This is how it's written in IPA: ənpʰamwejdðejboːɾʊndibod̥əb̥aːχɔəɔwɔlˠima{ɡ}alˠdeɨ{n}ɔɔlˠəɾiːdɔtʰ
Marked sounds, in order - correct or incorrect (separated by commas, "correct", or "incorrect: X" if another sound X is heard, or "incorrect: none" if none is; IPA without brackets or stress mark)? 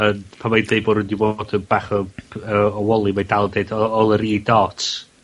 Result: incorrect: d, incorrect: d